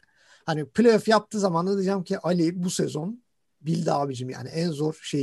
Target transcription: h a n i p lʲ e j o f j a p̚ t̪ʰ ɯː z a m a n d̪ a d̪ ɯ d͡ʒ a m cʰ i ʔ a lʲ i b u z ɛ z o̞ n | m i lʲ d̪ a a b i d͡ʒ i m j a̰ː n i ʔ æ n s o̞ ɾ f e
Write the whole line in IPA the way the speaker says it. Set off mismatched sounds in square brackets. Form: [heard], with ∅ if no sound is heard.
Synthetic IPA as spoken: h a n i p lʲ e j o f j a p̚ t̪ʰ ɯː z a m a n d̪ a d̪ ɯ d͡ʒ a m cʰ i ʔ a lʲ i b u [s] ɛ z o̞ n | [b] i lʲ d̪ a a b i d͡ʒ i m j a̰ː n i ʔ æ n [z] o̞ ɾ [ʃ] e